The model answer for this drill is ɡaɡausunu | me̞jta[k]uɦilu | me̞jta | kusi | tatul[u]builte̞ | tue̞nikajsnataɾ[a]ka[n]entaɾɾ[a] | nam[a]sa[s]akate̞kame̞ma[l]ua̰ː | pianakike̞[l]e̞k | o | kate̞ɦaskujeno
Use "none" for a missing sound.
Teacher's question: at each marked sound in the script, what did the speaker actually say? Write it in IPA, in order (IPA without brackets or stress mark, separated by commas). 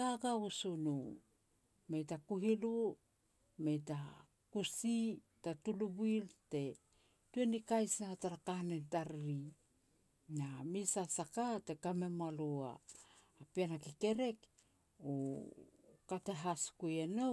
k, u, a, n, i, i, s, l, ɾ